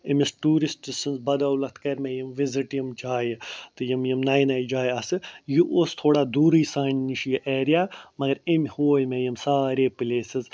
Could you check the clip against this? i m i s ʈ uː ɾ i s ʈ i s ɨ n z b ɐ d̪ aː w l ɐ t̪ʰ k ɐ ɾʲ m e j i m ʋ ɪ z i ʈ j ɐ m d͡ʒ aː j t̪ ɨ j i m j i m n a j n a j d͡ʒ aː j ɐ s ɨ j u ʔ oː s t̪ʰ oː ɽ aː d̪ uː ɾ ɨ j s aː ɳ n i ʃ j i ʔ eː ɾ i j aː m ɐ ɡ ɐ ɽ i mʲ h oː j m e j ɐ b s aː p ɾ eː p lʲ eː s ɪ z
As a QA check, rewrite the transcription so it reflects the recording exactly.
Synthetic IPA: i m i s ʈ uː ɾ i s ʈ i s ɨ n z b ɐ d̪ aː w l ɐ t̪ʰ k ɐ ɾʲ m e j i m ʋ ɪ z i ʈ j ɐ m d͡ʒ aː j t̪ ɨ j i m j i m n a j n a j d͡ʒ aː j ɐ s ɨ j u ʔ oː s t̪ʰ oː ɽ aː d̪ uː ɾ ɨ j s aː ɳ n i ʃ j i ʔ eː ɾ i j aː m ɐ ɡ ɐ ɾ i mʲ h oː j m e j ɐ m s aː ɾ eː p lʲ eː s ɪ z